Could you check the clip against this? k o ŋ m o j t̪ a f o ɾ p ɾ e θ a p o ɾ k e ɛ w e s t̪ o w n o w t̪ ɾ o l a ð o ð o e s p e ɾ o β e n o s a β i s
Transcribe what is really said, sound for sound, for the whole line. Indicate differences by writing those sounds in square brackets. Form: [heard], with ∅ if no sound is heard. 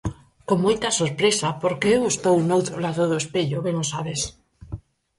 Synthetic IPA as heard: k o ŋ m o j t̪ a [s] o ɾ p ɾ e [s] a p o ɾ k e [e] w e s t̪ o w n o w t̪ ɾ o l a ð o ð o e s p e [ʎ] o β e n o s a β [e] s